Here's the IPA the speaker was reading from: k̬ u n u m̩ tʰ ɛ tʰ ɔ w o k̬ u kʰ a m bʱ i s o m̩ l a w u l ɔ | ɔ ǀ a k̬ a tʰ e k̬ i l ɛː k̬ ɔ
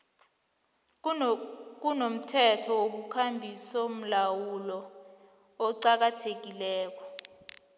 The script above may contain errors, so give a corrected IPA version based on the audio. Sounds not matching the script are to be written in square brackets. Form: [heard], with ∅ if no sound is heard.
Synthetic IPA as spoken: k̬ u n [o] m̩ tʰ ɛ tʰ ɔ w o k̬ u kʰ a m bʱ i s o m̩ l a w u l ɔ | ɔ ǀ a k̬ a tʰ e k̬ i l ɛː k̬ ɔ